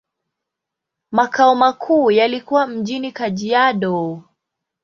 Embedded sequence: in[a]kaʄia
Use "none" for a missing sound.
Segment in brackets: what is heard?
i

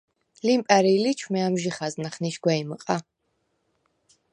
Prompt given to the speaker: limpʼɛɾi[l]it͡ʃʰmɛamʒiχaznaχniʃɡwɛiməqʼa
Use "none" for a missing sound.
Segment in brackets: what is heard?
l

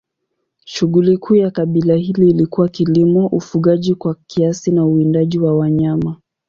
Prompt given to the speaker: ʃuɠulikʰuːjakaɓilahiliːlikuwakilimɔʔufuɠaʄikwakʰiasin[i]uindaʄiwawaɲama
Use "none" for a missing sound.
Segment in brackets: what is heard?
a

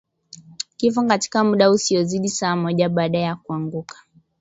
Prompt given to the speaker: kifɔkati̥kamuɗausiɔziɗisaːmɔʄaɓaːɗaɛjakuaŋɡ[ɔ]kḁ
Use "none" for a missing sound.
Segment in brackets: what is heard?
u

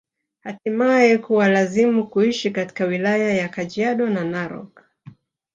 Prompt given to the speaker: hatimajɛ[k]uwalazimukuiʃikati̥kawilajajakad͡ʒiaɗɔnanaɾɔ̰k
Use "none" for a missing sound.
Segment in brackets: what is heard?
k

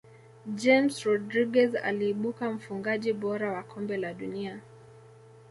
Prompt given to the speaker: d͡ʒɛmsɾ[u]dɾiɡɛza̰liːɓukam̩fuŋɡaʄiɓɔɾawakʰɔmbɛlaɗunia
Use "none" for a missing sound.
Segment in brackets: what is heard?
ɔ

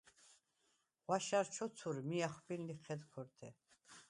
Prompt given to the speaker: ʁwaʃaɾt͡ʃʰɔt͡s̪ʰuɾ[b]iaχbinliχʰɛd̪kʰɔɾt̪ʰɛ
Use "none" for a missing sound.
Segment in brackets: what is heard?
m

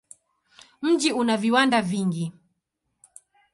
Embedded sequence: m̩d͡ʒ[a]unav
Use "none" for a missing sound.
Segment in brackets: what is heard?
i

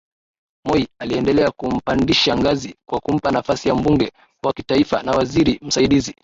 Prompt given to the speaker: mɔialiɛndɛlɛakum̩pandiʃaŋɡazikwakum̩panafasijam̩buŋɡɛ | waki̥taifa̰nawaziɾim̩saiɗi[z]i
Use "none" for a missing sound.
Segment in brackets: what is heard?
z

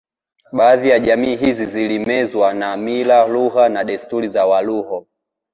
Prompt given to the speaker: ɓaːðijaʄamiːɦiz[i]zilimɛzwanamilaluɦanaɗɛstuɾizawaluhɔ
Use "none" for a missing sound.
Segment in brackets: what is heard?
i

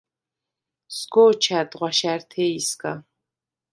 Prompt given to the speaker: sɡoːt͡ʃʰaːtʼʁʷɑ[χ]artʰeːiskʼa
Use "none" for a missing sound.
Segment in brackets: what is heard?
ʃ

